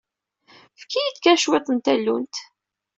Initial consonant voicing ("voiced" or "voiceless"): voiceless